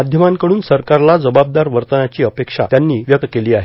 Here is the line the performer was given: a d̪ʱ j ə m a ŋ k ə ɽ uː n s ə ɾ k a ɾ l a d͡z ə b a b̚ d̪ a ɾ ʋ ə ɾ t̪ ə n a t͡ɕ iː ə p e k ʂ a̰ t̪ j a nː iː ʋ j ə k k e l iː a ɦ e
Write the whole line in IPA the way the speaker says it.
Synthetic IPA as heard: a d̪ʱ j ə m a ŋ k ə ɽ uː n s ə ɾ k a ɾ l a d͡z ə b a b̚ d̪ a ɾ ʋ ə ɾ t̪ ə n a t͡ɕ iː ə p e k ʂ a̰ t̪ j a nː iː ʋ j ə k k e l iː a ɦ e